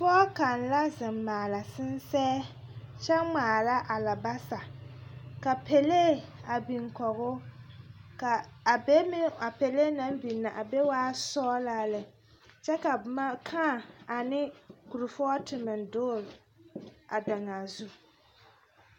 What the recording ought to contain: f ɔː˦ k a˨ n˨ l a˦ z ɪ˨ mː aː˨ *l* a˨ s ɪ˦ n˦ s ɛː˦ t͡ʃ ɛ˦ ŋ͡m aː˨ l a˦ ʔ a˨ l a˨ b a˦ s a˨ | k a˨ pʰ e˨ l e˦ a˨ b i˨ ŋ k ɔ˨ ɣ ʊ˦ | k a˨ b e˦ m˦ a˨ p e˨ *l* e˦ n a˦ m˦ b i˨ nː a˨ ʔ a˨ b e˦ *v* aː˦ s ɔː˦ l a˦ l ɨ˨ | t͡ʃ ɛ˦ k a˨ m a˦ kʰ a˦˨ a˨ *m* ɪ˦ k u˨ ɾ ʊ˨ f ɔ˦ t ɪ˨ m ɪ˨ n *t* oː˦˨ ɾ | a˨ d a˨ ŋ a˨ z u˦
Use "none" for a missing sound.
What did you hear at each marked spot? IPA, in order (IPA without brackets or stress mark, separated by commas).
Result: l, l, w, n, d